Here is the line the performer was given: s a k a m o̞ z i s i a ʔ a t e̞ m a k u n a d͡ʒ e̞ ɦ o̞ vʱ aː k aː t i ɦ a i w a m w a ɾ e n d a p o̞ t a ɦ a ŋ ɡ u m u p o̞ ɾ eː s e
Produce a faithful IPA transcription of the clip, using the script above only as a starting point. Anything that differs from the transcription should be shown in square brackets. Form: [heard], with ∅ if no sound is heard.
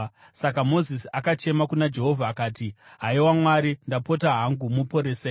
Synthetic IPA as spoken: s a k a m o̞ z i s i a [k] a [t͡ʃ] e̞ m a k u n a d͡ʒ e̞ ɦ o̞ vʱ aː k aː t i ɦ a i w a m w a ɾ [i] n d a p o̞ t a ɦ a ŋ ɡ u m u p o̞ ɾ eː s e